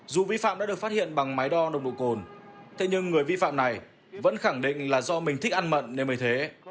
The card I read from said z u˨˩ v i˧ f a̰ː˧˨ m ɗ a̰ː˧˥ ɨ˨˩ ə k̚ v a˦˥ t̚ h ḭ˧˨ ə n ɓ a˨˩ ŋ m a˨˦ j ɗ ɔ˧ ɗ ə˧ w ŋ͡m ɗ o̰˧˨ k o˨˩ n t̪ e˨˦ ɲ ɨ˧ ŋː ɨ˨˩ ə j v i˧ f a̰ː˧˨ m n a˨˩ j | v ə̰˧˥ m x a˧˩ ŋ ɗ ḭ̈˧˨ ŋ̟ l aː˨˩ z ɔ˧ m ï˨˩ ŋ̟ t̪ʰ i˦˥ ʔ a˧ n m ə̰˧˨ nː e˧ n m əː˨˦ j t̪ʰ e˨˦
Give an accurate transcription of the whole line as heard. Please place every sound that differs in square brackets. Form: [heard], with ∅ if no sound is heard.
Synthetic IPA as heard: z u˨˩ v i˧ f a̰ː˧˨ m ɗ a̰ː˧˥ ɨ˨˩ ə k̚ [f] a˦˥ t̚ h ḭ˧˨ ə n ɓ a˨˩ ŋ m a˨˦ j ɗ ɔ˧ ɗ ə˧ w ŋ͡m ɗ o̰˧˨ k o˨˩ n [t̪ʰ] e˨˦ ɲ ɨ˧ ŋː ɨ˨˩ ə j v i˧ f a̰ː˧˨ m n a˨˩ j | v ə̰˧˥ [n] x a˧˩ ŋ ɗ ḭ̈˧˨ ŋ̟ l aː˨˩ z ɔ˧ m ï˨˩ ŋ̟ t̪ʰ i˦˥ ʔ a˧ n m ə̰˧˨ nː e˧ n m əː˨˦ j t̪ʰ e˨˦